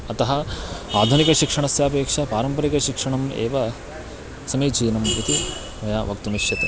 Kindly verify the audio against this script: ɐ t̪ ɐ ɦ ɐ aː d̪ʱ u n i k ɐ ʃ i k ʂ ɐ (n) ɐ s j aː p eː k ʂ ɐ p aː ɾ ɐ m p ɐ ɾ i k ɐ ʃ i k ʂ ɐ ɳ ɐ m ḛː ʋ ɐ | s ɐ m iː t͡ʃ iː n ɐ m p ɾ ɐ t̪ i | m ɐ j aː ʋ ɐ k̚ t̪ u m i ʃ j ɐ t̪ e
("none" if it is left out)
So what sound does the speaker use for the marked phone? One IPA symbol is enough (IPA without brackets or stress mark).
ɳ